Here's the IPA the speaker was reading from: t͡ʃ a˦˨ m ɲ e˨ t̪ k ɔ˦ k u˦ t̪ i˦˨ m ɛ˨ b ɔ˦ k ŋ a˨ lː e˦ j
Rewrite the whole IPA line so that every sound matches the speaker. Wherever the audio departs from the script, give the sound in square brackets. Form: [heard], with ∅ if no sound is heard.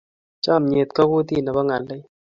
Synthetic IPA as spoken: t͡ʃ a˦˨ m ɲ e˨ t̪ k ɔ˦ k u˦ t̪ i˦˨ [n] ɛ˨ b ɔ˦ [∅] ŋ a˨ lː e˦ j